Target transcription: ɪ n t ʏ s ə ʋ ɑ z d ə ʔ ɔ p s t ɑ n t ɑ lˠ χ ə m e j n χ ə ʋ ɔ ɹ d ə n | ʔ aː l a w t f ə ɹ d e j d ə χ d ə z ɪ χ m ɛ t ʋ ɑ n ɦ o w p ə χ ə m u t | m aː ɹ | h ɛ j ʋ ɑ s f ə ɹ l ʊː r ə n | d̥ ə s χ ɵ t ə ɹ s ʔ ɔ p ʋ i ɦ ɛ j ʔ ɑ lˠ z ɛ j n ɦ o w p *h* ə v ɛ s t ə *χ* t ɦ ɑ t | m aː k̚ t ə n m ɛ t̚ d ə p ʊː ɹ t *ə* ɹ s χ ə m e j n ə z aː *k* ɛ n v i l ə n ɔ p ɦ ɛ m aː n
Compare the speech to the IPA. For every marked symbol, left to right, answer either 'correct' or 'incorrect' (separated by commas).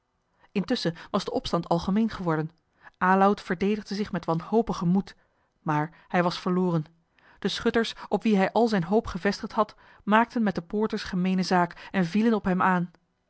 incorrect, correct, correct, correct